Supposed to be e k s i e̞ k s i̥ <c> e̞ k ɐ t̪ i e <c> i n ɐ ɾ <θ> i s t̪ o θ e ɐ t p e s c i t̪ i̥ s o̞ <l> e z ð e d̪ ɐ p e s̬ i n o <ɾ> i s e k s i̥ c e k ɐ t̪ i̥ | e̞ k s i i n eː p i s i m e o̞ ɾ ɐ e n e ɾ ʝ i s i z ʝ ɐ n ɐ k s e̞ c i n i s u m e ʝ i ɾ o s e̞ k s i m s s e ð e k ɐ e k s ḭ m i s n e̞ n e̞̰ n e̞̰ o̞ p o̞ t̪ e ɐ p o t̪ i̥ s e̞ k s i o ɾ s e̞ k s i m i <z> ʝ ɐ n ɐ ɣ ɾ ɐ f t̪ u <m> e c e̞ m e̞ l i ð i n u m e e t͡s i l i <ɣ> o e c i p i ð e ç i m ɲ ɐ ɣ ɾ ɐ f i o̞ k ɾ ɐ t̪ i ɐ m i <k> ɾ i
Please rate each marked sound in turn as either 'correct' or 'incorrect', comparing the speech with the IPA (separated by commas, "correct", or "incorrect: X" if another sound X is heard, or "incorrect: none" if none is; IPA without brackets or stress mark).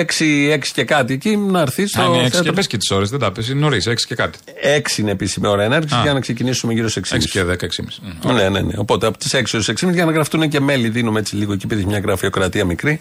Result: correct, correct, correct, incorrect: ɾ, correct, correct, incorrect: n, correct, correct